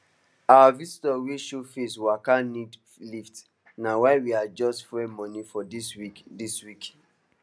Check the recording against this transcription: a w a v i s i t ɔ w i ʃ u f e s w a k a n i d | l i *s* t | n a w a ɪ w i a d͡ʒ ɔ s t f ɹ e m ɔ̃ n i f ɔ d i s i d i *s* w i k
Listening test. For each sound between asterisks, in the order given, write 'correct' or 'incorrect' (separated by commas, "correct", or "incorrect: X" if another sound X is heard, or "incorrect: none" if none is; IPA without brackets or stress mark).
incorrect: f, correct